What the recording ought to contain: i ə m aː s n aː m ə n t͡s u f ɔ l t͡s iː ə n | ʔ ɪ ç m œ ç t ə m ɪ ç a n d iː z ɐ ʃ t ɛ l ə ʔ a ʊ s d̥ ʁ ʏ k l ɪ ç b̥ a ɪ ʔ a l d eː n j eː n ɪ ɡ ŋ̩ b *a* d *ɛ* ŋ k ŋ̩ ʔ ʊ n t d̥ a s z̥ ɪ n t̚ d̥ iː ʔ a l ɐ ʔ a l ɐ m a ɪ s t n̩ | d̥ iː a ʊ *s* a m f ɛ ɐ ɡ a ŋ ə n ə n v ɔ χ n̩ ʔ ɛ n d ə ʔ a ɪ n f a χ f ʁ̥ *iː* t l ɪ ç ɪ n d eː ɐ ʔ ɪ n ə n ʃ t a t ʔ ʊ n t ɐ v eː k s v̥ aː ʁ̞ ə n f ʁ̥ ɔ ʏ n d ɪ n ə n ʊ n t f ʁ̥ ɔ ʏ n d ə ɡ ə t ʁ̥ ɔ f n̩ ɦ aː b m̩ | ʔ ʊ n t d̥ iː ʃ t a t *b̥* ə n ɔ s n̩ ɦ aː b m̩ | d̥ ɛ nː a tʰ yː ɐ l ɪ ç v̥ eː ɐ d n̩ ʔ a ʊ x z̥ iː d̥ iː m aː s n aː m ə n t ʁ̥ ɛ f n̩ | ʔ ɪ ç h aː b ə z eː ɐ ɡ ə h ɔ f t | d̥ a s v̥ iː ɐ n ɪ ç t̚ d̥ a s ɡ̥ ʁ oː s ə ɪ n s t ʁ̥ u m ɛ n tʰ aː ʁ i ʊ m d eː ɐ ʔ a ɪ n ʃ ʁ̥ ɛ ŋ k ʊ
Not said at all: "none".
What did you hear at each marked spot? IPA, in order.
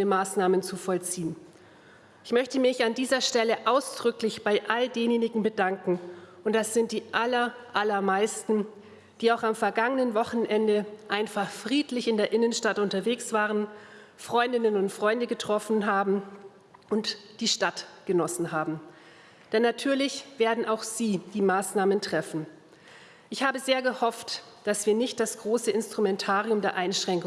ə, a, x, iː, ɡ̥

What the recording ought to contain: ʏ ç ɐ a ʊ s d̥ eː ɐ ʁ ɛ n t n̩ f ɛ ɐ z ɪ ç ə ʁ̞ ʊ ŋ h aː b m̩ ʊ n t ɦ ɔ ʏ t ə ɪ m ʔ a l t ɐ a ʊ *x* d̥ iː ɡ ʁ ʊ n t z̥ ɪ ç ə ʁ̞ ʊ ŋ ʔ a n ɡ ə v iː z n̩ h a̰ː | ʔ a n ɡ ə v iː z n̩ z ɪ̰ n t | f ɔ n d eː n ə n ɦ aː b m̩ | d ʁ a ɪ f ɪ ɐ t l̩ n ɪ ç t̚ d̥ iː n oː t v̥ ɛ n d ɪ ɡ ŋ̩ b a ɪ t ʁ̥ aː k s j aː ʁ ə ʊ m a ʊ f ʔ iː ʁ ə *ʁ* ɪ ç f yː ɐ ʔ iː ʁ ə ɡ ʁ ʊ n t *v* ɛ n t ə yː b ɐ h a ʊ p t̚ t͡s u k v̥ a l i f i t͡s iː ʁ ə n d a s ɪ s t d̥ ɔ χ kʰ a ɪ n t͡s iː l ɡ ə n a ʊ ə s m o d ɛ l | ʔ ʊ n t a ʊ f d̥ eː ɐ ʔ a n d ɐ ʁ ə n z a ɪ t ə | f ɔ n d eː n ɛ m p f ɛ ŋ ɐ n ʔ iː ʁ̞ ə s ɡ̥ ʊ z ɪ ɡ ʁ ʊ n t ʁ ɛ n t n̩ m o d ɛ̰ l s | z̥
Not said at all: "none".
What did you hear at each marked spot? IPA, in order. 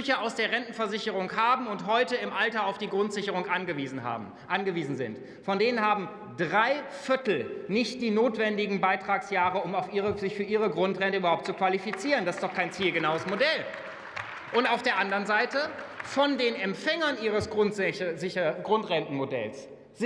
f, z, ʁ

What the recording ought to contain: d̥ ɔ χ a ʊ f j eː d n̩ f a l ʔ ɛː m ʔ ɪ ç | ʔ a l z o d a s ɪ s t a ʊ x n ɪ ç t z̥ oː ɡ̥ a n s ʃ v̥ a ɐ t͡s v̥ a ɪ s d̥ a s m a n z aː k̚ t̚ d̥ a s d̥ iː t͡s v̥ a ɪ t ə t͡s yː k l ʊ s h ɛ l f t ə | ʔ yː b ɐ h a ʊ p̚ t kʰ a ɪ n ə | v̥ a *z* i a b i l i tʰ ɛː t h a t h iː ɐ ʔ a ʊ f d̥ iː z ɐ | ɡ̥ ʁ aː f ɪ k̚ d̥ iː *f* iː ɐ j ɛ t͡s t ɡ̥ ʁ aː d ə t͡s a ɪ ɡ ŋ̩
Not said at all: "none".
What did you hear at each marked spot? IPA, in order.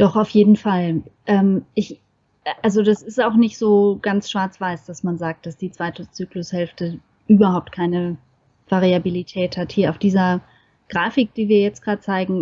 ʁ, v

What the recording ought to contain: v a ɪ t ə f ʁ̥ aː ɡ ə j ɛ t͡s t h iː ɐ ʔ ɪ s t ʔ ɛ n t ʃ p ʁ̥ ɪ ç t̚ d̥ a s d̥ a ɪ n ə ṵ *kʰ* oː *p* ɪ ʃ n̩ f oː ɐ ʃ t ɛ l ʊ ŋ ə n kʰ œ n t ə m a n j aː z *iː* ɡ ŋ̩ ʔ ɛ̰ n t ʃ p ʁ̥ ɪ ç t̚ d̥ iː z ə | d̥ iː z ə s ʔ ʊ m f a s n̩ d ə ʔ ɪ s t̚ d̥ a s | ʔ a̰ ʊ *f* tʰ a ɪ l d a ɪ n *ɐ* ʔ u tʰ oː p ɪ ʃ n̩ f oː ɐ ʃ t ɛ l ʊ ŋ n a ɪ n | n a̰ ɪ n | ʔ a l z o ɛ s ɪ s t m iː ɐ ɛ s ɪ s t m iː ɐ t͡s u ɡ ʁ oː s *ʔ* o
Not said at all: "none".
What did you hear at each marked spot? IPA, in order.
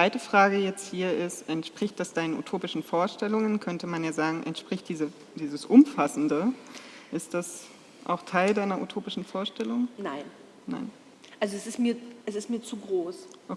tʰ, p, aː, x, ɐ, ʔ

